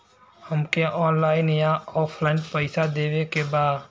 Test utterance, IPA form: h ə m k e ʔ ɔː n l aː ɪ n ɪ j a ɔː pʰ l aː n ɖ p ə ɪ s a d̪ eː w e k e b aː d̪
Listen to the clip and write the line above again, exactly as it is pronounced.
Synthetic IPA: h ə m k e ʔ ɔː n l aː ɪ n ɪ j a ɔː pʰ l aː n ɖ p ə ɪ s a d̪ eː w e k e b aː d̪